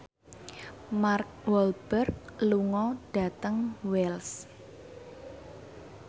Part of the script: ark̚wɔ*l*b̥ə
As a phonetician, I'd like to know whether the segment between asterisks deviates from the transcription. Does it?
no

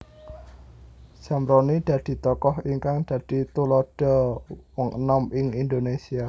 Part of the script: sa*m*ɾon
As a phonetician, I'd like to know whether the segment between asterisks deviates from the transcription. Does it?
no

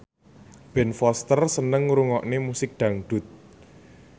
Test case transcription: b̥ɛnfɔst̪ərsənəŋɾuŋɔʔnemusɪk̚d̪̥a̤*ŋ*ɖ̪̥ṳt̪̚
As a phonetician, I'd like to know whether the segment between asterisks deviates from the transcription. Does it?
no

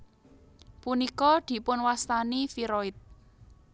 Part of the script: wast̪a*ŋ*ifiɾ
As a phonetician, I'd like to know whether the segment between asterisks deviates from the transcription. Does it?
yes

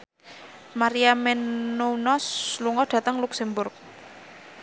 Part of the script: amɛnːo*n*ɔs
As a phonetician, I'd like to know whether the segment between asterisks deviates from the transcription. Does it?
no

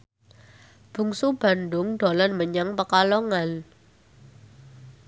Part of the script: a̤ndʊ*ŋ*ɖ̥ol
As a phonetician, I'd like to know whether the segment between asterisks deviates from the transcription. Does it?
no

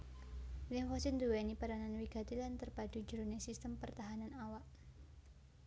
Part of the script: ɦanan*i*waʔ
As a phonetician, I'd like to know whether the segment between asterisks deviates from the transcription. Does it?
yes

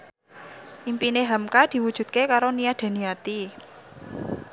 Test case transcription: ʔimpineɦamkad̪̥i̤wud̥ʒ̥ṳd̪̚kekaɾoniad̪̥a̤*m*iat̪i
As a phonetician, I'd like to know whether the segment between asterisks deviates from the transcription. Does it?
yes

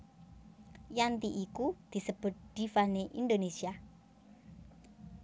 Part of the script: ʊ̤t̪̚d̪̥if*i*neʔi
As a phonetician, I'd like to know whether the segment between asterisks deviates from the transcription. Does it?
yes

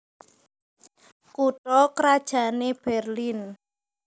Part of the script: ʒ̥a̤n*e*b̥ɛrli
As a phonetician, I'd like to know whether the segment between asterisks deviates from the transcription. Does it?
no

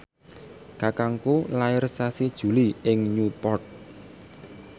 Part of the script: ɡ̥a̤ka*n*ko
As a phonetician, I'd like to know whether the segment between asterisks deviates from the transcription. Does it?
yes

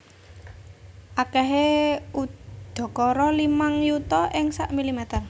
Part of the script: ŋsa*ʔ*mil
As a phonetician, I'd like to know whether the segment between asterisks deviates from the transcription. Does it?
no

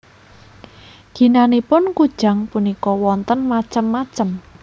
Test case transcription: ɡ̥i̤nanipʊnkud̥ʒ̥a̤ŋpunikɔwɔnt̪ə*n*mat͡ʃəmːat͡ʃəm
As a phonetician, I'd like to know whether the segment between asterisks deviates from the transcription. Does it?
no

